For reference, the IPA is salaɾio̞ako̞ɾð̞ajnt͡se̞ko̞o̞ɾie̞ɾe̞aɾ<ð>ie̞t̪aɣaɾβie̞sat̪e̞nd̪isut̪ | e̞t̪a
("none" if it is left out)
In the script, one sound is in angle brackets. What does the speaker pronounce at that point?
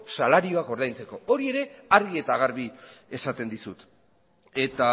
ɣ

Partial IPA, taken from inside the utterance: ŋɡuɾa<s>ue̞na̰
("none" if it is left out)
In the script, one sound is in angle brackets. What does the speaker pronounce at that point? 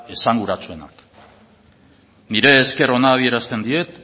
t͡s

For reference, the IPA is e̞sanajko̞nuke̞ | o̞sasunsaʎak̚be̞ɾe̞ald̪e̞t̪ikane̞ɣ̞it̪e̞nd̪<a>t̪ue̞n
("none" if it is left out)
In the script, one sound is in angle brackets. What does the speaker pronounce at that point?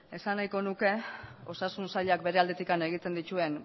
i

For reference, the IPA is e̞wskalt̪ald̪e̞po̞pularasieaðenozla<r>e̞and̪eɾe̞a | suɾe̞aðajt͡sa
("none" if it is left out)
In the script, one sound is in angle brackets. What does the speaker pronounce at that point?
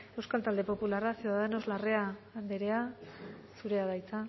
r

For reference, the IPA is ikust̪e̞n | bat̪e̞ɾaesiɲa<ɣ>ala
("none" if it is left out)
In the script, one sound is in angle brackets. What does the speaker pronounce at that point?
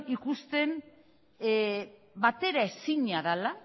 ð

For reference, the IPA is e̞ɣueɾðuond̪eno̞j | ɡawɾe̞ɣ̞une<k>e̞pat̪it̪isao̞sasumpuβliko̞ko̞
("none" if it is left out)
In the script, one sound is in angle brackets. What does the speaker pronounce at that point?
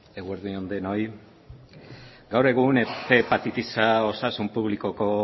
p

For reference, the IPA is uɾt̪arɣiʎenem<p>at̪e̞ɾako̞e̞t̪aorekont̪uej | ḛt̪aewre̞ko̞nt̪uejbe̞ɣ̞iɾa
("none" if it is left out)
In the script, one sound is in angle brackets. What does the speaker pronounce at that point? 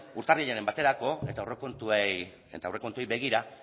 b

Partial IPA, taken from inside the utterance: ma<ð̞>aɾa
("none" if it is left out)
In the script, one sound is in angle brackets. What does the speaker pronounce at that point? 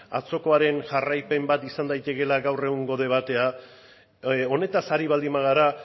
ɣ̞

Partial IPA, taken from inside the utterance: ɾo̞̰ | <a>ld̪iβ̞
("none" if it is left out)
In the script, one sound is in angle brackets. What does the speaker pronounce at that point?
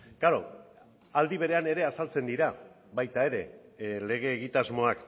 a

